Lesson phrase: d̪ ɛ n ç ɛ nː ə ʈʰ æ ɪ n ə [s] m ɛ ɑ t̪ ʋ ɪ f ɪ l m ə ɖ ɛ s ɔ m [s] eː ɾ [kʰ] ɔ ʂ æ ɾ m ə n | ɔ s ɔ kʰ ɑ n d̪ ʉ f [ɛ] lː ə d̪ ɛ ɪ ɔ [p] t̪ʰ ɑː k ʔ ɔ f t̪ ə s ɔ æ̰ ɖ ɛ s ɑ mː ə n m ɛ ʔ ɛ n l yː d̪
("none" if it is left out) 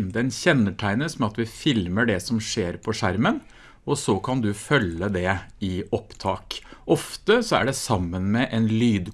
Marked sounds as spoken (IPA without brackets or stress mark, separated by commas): s, ʂ, pʰ, œ, p